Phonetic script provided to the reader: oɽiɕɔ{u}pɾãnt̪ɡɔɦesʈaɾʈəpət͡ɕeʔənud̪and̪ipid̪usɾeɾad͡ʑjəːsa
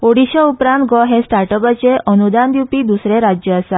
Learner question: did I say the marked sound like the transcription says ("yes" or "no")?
yes